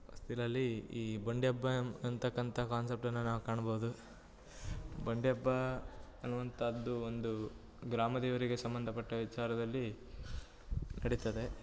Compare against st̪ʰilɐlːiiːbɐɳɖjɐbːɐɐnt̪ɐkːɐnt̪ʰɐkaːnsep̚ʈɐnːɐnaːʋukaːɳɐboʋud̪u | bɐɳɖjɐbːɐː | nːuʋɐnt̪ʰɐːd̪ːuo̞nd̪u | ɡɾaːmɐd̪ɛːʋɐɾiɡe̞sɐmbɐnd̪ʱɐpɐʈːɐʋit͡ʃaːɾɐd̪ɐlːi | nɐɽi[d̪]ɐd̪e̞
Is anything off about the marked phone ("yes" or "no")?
yes